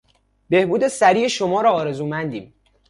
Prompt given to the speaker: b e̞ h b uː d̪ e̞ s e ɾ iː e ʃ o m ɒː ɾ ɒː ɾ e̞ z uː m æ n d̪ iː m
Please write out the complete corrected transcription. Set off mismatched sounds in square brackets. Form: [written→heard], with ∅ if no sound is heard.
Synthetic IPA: b e̞ h b uː d̪ e̞ s [e→æ] ɾ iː e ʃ o m ɒː ɾ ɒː ɾ e̞ z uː m æ n d̪ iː m